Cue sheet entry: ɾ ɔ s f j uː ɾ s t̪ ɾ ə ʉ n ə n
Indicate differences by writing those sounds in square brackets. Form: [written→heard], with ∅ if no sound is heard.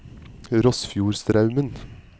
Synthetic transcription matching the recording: ɾ ɔ s f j uː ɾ s t̪ ɾ [ə→ɑ] ʉ [n→m] ə n

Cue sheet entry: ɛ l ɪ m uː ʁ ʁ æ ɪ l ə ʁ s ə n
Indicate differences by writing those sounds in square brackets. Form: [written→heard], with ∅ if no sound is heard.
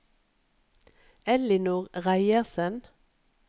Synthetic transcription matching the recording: ɛ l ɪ [m→n] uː ʁ ʁ æ ɪ [l→∅] ə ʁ s ə n

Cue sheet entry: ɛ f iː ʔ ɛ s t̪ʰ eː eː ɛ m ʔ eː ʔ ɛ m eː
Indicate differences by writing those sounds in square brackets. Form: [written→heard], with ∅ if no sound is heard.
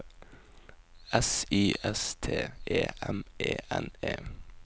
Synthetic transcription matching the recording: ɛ [f→s] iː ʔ ɛ s t̪ʰ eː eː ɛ m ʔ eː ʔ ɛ [m→n] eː

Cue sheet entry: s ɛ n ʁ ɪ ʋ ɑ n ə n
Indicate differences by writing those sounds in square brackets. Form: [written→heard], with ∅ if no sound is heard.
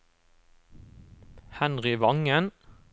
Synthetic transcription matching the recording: [s→h] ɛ n ʁ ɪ ʋ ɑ [n→ŋ] ə n

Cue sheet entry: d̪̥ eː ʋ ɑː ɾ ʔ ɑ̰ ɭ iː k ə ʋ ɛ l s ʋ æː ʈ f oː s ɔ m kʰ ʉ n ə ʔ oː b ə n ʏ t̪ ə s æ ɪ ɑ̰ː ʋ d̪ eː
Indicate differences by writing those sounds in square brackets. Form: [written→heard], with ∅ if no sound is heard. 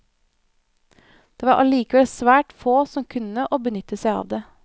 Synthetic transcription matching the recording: d̪̥ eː ʋ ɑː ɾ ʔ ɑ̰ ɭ iː k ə ʋ ɛ l s ʋ æː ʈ f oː s ɔ m kʰ ʉ n ə ʔ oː b ə n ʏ t̪ ə s æ ɪ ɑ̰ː ʋ d̪ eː

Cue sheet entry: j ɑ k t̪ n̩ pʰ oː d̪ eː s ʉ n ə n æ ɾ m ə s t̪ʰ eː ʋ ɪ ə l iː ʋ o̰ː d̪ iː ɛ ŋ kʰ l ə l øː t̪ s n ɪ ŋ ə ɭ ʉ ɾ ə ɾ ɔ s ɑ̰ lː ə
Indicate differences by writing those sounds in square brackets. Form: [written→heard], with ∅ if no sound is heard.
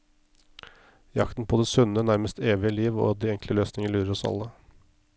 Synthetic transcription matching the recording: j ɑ k t̪ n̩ pʰ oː d̪ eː s ʉ n ə n æ ɾ m ə s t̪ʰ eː ʋ ɪ ə l iː ʋ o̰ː d̪ iː ɛ ŋ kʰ l ə l øː [t̪→∅] s n ɪ ŋ ə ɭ [ʉ→ʉː] ɾ ə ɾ ɔ s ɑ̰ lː ə

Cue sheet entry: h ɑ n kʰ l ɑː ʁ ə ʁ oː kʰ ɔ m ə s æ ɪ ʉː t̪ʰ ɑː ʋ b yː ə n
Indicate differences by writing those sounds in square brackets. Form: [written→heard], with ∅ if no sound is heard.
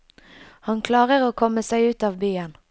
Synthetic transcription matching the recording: h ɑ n kʰ l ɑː ʁ ə ʁ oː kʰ ɔ m ə s æ ɪ ʉː [t̪ʰ→t̪] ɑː ʋ b yː ə n

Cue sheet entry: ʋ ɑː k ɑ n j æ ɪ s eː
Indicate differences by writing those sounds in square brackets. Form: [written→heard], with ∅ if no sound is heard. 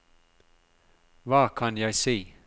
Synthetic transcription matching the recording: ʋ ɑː [k→kʰ] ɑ n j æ ɪ s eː

